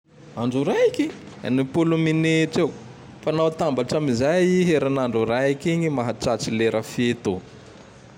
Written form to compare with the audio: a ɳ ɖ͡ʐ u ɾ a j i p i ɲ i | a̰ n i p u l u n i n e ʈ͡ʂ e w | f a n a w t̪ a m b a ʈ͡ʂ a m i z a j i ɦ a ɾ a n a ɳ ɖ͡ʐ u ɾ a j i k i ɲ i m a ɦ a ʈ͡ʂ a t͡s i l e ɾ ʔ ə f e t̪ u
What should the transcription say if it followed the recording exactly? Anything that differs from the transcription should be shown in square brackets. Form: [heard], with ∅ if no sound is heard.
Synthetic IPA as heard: a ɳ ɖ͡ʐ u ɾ a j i [k] i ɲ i | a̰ n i p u l u [m] i n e ʈ͡ʂ e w | f a n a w t̪ a m b a ʈ͡ʂ a m i z a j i ɦ [e] ɾ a n a ɳ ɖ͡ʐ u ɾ a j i k i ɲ i m a ɦ a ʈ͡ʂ a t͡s i l e ɾ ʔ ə f e t̪ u

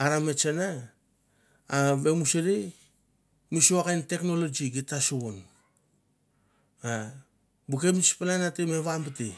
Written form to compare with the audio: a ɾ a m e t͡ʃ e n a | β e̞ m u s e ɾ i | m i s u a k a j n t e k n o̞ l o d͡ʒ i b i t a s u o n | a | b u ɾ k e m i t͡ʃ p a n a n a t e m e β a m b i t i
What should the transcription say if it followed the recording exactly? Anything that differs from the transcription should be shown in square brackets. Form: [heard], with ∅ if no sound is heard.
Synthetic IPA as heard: a ɾ a m e t͡ʃ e n a | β e̞ m u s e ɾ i | m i s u a k a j n t e k n o̞ l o d͡ʒ i [ɡ] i t a s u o n | a | b u [∅] k e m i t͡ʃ p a n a n a t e m e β a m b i t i

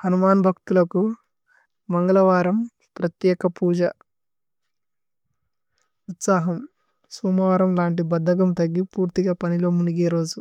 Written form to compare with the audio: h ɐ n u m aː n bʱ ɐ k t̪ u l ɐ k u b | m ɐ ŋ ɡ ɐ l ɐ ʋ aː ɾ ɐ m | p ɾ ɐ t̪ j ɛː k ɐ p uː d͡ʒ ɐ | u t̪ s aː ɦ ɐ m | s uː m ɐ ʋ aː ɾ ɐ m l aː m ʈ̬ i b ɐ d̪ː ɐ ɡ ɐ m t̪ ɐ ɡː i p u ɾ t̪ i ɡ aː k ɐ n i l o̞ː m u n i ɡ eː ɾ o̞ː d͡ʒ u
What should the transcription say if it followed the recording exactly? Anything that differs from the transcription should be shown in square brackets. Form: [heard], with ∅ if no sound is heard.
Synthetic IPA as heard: h ɐ n u m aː n bʱ ɐ k t̪ u l ɐ k u [∅] | m ɐ ŋ ɡ ɐ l ɐ ʋ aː ɾ ɐ m | p ɾ ɐ t̪ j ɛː k ɐ p uː d͡ʒ ɐ | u t̪ s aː ɦ ɐ m | s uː m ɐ ʋ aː ɾ ɐ m l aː [ɳ] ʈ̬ i b ɐ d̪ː ɐ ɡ ɐ m t̪ ɐ ɡː i p [uː] ɾ t̪ i ɡ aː [p] ɐ n i l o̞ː m u n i ɡ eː ɾ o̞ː d͡ʒ u

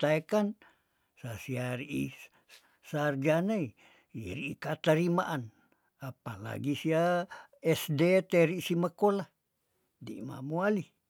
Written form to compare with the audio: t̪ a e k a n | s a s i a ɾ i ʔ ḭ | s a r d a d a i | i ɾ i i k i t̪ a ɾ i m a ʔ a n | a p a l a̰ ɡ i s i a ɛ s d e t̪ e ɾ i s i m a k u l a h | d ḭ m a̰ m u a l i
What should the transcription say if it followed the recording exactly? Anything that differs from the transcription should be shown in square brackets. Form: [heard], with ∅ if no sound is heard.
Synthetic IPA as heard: t̪ a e k a n | s a s i a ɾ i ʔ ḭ | s a r [d͡ʒ] a [n] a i | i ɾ i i k [a] t̪ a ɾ i m a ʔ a n | a p a l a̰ ɡ i s i a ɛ s d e t̪ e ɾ i s i m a k [o] l a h | d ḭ m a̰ m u a l i

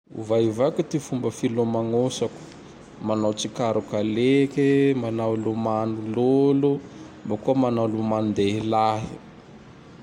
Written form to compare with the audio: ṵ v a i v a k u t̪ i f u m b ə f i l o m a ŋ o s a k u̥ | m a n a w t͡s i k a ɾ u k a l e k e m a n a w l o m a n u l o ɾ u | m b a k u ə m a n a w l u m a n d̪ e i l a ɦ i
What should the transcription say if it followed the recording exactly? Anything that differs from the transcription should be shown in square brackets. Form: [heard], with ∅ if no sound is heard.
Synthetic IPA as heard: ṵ v a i v a k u t̪ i f u m b ə f i l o m a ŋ o s a k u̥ | m a n a w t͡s i k a ɾ u k a l e k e m a n a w l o m a n u l o [l] u | m b a k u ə m a n a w l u m a n d̪ e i l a ɦ i

